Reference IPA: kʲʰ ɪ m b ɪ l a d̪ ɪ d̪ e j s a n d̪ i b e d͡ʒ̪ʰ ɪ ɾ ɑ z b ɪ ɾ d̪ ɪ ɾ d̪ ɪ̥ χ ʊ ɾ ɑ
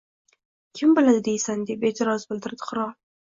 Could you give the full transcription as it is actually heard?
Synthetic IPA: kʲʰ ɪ m b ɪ l a d̪ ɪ d̪ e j s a n d̪ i b e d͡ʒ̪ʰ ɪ ɾ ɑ z b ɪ l d̪ ɪ ɾ d̪ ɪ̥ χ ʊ ɾ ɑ